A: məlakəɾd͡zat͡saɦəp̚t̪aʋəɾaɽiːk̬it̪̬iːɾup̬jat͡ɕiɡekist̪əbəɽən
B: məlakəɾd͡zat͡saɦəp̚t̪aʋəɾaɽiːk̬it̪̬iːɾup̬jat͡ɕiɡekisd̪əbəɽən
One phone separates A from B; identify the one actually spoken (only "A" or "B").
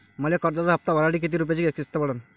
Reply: A